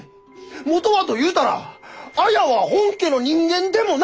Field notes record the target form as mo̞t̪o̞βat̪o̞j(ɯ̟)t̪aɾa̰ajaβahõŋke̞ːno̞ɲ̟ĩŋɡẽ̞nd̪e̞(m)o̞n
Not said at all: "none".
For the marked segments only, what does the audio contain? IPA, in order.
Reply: ɯ̟ː, m

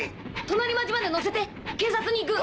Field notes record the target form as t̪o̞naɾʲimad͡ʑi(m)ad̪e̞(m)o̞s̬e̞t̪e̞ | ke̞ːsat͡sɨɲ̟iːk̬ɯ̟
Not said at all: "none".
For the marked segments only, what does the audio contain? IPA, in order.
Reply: m, n

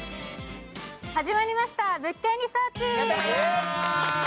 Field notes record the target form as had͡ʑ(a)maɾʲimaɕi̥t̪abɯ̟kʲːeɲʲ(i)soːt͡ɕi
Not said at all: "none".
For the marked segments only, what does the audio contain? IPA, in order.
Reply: i, i

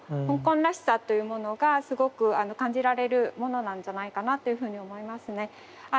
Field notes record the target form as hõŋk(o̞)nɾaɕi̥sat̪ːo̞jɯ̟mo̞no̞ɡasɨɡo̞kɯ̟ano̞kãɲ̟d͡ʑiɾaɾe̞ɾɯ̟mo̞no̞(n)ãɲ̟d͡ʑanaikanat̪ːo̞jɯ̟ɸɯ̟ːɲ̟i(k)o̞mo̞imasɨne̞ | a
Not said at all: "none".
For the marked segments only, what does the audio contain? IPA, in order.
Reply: õ̞, n, none

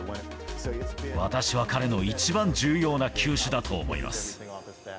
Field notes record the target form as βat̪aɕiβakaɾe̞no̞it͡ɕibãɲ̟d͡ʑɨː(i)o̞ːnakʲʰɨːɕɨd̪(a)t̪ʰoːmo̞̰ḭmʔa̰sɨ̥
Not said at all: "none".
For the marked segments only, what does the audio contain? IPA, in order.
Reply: j, a

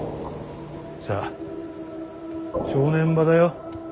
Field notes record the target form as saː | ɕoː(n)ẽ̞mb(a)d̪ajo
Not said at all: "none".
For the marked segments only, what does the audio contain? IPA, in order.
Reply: n, a

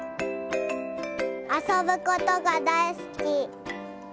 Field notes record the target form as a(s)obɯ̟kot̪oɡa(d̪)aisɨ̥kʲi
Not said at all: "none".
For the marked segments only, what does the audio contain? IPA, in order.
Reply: s, d̪

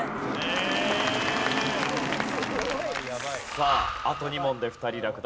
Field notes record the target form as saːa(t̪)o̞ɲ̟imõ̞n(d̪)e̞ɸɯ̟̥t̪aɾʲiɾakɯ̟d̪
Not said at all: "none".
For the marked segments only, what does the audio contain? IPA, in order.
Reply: t̪, d̪

